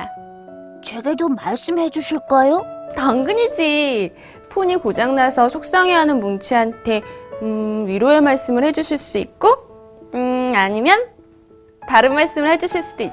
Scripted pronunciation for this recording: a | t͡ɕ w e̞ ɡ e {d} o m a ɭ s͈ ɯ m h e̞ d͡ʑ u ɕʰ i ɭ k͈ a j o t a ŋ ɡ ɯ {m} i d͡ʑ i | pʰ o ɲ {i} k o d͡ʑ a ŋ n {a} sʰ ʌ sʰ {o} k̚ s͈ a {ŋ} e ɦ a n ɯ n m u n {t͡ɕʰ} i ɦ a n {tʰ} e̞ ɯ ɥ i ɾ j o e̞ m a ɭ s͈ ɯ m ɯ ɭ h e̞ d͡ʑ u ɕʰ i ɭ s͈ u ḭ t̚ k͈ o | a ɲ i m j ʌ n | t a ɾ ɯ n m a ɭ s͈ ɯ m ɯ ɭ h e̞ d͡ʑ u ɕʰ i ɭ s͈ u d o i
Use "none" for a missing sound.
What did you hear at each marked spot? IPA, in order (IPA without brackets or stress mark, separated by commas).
d, ɲ, i, a, o, ŋ, t͡ɕʰ, tʰ